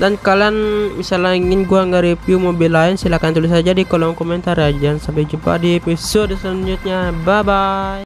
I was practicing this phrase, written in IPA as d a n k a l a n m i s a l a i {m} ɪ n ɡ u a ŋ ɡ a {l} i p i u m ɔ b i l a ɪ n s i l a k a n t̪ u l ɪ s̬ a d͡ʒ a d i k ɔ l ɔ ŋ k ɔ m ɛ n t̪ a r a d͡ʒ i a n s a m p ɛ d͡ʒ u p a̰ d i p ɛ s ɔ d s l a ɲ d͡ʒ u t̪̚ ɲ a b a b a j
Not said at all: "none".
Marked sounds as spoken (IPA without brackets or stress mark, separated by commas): ŋ, ɾ